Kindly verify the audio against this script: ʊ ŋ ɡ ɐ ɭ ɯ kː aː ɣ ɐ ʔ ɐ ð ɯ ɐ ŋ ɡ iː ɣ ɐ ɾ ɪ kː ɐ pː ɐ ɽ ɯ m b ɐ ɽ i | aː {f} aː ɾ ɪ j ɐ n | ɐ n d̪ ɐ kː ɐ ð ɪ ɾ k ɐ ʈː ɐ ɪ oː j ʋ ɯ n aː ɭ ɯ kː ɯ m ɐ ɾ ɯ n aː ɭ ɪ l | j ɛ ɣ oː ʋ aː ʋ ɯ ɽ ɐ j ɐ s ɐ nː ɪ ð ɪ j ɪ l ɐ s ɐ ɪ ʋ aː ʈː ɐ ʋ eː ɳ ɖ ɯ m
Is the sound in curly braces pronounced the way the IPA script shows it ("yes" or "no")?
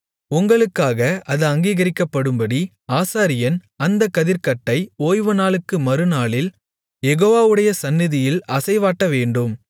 no